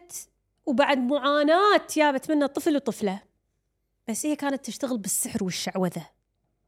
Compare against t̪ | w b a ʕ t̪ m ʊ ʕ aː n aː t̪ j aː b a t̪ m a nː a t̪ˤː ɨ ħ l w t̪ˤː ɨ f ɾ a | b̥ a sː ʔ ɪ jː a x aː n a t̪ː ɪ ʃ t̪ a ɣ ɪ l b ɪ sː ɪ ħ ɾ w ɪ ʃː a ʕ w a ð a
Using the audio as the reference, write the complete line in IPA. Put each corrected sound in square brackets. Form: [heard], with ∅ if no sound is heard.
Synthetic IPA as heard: t̪ | w b a ʕ [d̪] m ʊ ʕ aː n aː t̪ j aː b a t̪ m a nː a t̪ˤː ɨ [f] l w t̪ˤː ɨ f [l] a | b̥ a sː ʔ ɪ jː a [k] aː n a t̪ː ɪ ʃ t̪ a ɣ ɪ l b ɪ sː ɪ ħ ɾ w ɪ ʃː a ʕ w a ð a